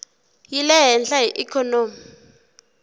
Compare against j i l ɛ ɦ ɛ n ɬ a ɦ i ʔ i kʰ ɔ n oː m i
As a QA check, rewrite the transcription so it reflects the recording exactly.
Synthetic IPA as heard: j i l ɛ ɦ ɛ n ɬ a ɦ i ʔ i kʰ ɔ n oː m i